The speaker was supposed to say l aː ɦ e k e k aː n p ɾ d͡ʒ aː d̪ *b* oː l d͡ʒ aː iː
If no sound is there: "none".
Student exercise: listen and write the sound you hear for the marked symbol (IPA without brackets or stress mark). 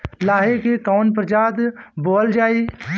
b